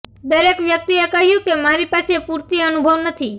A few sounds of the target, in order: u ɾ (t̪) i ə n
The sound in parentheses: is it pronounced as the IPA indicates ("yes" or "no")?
yes